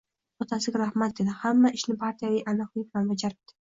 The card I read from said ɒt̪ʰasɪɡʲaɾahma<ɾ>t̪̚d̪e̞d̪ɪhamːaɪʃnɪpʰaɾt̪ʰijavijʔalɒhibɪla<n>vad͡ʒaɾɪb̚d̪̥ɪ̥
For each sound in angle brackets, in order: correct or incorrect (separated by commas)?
incorrect, correct